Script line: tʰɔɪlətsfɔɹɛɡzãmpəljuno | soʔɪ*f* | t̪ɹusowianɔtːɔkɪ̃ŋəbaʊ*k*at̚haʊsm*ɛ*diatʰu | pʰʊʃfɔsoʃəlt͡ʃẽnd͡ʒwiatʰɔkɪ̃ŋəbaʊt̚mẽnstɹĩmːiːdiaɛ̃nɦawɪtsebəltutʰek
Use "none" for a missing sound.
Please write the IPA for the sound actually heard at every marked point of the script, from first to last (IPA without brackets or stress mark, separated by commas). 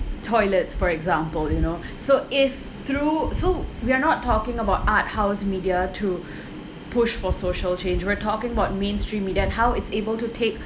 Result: f, t, i